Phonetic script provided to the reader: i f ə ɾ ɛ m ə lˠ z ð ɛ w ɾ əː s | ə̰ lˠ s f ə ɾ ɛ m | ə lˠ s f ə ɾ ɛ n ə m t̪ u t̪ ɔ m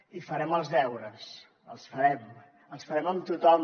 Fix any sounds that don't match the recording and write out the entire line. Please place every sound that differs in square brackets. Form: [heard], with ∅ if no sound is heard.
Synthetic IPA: i f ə ɾ ɛ m ə lˠ z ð ɛ w ɾ [ə] s | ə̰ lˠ s f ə ɾ ɛ m | ə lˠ s f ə ɾ ɛ [m] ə m t̪ u t̪ ɔ m